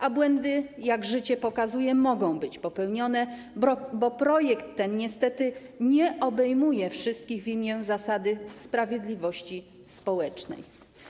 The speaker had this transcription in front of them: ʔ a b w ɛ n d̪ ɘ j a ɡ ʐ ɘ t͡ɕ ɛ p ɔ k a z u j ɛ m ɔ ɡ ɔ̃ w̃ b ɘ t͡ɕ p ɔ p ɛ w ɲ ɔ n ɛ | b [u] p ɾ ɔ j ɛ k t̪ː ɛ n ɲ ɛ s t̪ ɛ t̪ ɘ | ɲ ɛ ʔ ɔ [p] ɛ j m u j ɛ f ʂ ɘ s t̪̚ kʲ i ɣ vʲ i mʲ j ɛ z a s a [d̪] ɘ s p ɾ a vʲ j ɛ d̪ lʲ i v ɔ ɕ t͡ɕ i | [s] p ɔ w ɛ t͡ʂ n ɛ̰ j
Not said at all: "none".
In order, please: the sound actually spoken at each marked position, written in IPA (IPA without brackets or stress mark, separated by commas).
ɔ, b, d̪, s